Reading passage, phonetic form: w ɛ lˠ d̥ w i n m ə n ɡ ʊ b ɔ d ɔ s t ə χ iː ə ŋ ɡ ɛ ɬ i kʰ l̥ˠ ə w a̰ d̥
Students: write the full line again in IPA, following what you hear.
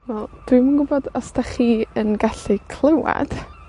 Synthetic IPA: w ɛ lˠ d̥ w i m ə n ɡ ʊ b ɔ d ɔ s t a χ iː ə n ɡ a ɬ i kʰ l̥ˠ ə w a̰ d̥